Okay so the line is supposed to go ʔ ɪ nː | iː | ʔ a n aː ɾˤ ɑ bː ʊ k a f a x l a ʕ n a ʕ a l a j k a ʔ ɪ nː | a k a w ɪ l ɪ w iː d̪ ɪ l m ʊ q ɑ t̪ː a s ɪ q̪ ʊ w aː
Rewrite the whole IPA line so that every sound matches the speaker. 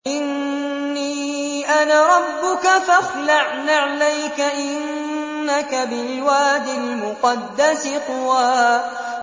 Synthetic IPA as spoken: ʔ ɪ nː | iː | ʔ a n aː ɾˤ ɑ bː ʊ k a f a x l a ʕ n a ʕ a l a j k a ʔ ɪ nː | a k a b ɪ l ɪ w aː d̪ ɪ l m ʊ q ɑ d̪ː a s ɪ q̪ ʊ w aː